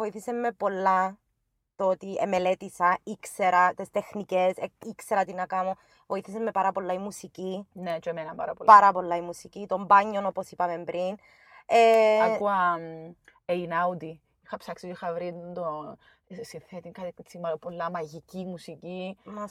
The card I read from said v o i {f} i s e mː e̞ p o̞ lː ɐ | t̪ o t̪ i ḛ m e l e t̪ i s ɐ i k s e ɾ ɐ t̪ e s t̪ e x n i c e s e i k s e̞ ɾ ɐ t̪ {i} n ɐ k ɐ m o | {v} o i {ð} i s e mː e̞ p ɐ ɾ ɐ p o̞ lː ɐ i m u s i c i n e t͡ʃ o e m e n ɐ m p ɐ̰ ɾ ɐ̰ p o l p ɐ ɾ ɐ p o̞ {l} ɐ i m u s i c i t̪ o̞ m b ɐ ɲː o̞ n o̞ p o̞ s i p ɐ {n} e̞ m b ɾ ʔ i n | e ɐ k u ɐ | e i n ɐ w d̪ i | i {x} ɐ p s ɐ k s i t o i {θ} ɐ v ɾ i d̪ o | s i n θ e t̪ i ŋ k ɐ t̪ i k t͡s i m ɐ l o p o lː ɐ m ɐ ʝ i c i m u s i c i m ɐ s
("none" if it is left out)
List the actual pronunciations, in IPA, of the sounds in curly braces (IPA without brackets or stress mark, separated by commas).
θ, i, v, θ, lː, m, x, x